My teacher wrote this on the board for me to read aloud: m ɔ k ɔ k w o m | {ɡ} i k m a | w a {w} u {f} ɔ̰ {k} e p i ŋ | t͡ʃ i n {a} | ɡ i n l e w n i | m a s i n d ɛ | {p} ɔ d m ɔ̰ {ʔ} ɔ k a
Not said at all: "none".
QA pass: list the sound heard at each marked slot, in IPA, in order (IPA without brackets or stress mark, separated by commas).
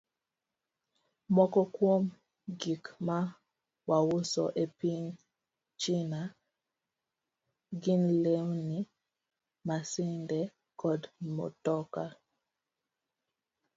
ɡ, w, s, ʔ, a, k, t